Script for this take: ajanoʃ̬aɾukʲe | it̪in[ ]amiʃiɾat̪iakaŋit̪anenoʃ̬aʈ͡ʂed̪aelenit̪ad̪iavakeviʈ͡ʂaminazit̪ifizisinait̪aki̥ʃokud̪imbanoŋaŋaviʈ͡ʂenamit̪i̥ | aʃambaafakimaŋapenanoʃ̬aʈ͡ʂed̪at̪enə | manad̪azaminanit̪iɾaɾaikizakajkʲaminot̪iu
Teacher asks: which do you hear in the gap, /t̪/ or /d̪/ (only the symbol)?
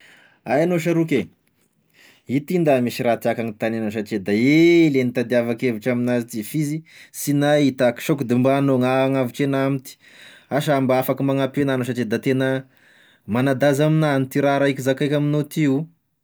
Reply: d̪